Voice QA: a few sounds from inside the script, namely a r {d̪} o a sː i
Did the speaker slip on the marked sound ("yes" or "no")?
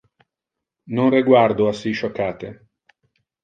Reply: no